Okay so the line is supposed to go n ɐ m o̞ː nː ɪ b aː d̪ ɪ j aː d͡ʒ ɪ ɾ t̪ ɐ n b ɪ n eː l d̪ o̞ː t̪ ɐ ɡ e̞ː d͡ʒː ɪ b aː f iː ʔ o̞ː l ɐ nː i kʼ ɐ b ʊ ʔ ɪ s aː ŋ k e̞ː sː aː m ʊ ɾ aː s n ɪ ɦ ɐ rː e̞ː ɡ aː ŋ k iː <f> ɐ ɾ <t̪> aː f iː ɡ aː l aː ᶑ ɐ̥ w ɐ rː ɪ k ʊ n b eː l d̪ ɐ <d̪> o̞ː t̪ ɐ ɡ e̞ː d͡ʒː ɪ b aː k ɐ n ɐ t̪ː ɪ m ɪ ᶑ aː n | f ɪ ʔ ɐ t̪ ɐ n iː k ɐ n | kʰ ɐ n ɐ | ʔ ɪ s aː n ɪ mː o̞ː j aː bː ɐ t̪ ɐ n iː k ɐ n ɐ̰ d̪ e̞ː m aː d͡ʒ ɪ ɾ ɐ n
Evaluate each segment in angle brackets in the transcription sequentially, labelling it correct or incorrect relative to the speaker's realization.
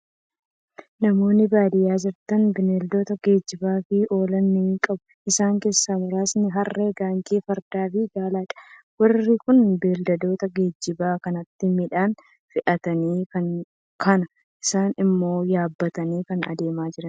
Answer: correct, incorrect: d̪, correct

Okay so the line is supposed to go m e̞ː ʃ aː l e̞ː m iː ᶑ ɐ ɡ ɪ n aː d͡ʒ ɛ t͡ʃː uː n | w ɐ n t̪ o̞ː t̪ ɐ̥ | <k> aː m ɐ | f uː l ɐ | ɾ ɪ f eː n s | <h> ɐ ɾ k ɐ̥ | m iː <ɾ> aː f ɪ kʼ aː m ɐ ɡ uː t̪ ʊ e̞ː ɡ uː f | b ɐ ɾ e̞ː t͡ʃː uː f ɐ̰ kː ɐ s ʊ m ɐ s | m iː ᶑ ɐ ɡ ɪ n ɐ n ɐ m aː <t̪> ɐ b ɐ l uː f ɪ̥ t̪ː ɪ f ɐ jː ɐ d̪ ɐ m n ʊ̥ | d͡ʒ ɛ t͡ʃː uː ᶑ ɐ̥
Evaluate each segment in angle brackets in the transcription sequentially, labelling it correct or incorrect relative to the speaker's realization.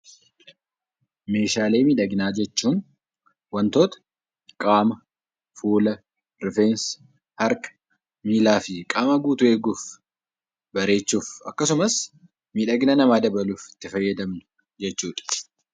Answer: incorrect: kʼ, correct, incorrect: l, incorrect: d̪

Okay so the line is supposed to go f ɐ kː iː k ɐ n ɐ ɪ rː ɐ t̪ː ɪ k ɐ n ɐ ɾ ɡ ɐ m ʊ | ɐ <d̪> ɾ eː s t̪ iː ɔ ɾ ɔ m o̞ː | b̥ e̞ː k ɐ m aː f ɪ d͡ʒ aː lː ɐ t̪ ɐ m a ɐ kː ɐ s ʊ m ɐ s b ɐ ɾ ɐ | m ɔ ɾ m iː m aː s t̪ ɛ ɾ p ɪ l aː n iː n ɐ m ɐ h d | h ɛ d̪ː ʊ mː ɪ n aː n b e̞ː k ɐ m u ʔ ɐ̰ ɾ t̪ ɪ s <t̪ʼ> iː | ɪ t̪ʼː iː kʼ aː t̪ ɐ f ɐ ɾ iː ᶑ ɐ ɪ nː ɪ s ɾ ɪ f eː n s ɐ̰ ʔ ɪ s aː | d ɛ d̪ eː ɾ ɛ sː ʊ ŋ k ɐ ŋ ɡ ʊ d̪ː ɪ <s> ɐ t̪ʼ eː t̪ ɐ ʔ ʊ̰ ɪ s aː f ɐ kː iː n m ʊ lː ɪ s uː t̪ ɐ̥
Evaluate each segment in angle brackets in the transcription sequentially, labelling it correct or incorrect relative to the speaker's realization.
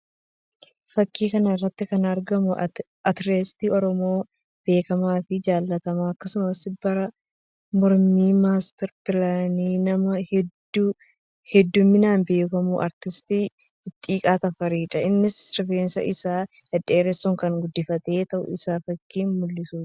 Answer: incorrect: t̪, incorrect: t̪, incorrect: f

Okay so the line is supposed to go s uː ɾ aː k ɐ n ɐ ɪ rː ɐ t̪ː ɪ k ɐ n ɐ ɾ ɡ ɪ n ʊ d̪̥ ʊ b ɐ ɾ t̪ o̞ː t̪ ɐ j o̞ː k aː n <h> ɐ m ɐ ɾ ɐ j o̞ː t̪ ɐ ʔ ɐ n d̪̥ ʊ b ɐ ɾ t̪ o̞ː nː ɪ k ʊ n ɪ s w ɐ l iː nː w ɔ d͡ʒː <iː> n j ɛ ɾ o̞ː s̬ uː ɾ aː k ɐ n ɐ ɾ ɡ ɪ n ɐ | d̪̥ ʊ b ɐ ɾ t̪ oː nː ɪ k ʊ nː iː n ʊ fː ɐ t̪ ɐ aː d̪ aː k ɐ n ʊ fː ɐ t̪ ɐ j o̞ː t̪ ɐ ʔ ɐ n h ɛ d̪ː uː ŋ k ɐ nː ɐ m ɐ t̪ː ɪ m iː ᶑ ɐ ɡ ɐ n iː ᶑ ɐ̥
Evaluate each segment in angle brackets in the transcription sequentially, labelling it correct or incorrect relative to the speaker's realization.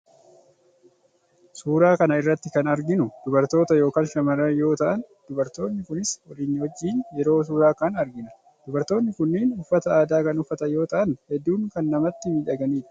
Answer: incorrect: ʃ, correct

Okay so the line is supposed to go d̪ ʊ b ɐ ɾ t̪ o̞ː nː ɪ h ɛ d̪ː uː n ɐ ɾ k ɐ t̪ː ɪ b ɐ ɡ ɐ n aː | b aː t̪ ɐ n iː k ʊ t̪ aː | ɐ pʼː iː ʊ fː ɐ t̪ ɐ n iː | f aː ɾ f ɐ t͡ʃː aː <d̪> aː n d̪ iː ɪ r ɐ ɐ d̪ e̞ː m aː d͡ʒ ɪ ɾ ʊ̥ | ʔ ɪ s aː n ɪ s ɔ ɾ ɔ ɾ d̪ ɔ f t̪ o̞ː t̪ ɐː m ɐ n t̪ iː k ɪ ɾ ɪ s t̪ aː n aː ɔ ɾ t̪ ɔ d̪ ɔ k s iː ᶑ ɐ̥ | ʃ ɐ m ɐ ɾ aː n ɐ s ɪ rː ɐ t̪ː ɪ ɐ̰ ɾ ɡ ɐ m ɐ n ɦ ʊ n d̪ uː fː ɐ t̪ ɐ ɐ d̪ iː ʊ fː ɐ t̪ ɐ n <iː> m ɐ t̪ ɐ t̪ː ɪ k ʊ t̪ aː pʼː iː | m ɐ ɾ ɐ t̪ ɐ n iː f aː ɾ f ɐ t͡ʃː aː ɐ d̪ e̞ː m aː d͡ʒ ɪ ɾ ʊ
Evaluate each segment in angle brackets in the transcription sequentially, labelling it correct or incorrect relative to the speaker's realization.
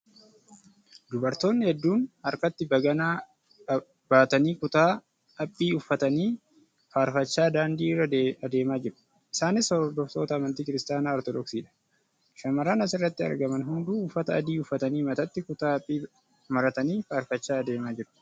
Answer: correct, correct

